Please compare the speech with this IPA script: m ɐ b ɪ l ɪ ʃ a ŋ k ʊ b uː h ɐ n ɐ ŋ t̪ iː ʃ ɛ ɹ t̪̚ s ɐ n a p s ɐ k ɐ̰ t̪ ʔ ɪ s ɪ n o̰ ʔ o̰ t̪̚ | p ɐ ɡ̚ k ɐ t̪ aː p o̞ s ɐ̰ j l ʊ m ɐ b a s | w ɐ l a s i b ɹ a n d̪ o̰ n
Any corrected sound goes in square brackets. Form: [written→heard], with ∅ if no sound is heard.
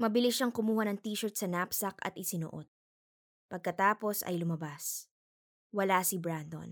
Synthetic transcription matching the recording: m ɐ b ɪ l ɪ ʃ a ŋ k ʊ [b→m] uː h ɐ n ɐ ŋ t̪ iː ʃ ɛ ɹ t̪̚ s ɐ n a p s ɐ k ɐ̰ t̪ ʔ ɪ s ɪ n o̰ ʔ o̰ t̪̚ | p ɐ ɡ̚ k ɐ t̪ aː p o̞ s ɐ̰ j l ʊ m ɐ b a s | w ɐ l a s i b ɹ a n d̪ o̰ n